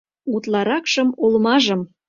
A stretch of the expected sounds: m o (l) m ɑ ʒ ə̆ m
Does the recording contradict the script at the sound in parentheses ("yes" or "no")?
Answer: no